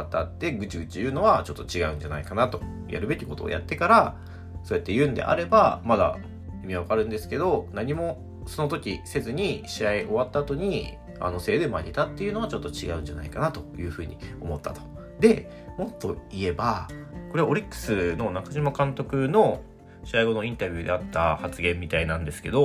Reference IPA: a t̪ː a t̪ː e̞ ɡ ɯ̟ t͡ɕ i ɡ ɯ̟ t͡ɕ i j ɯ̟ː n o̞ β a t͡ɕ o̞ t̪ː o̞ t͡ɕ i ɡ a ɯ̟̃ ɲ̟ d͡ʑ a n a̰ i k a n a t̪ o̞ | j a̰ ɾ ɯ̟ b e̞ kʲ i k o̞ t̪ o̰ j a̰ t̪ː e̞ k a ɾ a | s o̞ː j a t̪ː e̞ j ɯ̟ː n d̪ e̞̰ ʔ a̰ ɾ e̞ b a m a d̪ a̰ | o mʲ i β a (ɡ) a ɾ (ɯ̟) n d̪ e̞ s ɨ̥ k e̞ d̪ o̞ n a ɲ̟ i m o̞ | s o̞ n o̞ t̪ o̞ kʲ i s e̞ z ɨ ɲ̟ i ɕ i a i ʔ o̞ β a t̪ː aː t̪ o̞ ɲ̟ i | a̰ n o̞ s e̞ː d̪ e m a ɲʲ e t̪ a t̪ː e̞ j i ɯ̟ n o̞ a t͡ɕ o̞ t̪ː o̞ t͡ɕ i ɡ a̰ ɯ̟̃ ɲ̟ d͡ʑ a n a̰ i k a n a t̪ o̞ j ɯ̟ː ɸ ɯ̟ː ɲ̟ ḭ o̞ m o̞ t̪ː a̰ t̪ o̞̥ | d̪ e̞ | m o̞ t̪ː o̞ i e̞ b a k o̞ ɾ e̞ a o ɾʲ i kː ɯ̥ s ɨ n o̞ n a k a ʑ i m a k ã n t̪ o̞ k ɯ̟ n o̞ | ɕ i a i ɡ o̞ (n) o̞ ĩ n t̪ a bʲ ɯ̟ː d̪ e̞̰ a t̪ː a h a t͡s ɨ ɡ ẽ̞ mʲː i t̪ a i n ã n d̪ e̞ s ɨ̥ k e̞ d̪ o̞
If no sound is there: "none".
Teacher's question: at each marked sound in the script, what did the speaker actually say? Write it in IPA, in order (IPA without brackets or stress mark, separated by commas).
k, ɯ̟̃, n